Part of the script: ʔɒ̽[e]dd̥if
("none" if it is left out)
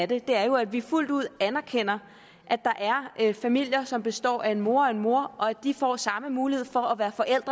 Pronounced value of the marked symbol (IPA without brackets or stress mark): æ